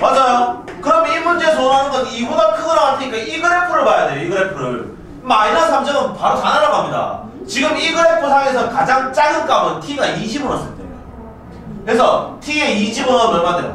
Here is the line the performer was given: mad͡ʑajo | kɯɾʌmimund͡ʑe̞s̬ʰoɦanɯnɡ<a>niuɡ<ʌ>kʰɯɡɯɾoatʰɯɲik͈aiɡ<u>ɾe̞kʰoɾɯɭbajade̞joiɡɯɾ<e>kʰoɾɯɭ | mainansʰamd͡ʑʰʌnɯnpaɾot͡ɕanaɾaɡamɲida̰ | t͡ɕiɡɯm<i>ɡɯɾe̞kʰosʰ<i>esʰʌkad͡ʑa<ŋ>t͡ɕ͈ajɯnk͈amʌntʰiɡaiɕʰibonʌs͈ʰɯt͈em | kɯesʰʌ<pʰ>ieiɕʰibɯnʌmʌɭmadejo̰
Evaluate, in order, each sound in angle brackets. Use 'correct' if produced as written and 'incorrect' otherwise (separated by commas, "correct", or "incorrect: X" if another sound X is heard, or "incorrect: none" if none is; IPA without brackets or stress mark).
incorrect: ʌ, incorrect: a, incorrect: ɯ, correct, correct, incorrect: a, correct, incorrect: tʰ